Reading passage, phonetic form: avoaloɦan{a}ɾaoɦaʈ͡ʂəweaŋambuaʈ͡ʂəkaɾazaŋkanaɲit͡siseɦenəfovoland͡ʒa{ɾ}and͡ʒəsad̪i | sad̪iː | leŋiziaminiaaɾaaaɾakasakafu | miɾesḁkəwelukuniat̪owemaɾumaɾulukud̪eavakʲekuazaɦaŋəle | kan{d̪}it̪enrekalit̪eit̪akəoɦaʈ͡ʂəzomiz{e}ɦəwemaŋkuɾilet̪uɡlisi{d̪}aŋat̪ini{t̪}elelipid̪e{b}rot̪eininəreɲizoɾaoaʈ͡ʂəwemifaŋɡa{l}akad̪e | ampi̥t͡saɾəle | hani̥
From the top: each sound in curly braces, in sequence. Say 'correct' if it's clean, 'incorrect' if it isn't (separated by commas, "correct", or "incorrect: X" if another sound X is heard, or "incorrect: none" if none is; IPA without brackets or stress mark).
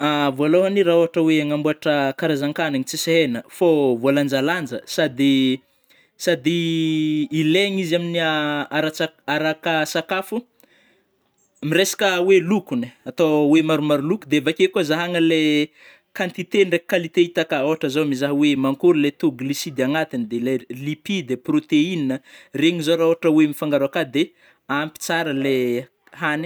incorrect: i, incorrect: l, incorrect: t̪, incorrect: a, correct, incorrect: d̪, incorrect: p, incorrect: ɾ